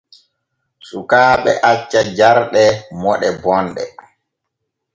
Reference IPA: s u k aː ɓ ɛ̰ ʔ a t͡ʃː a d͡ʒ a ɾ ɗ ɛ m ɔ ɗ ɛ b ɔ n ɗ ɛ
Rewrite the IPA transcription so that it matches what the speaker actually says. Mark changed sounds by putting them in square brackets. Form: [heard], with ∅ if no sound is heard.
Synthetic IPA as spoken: s u k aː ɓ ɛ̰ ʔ a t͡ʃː a d͡ʒ a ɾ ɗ ɛ m ɔ ɗ ɛ b ɔ n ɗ ɛ

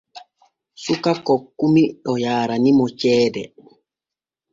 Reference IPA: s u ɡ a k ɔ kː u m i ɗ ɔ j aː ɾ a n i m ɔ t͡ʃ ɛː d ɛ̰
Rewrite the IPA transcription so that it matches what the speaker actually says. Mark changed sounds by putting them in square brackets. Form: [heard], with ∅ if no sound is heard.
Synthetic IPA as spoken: s u [k] a k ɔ kː u m i ɗ ɔ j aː ɾ a n i m ɔ t͡ʃ ɛː d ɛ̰

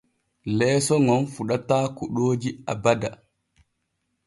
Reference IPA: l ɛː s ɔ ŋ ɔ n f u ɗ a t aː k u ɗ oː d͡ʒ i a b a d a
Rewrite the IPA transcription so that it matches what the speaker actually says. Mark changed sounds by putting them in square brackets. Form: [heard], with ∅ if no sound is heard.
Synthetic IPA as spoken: l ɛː s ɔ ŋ ɔ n f u ɗ a t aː k u ɗ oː d͡ʒ i a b a d a

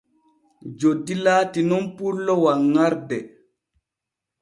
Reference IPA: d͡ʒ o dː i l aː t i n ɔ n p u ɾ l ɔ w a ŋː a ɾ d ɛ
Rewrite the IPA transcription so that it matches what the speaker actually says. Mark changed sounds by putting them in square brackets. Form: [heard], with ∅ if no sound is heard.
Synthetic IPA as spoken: d͡ʒ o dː i l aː t i n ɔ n p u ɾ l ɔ w a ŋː a ɾ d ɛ

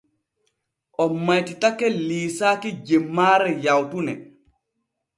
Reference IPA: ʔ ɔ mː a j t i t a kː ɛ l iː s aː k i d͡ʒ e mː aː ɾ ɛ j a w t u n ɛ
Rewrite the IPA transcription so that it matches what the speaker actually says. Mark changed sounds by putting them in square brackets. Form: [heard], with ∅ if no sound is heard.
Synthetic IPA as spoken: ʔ ɔ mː a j t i t a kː ɛ l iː s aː k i d͡ʒ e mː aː ɾ ɛ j a w t u n ɛ

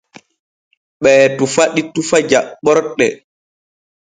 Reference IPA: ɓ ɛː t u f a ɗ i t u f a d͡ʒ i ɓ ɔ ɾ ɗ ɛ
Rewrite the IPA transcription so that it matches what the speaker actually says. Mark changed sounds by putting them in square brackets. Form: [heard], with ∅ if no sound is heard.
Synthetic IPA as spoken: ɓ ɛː t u f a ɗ i t u f a d͡ʒ [a] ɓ ɔ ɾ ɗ ɛ

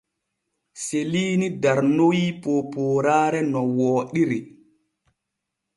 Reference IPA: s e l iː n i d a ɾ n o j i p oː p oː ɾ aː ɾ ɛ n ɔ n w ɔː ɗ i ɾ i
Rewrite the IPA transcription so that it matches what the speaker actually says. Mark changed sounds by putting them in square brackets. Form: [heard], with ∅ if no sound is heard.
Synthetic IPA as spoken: s e l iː n i d a ɾ n o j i p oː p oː ɾ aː ɾ ɛ n ɔ [∅] w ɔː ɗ i ɾ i

